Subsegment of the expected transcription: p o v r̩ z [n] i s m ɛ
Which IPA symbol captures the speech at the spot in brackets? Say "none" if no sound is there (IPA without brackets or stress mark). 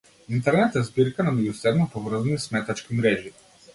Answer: n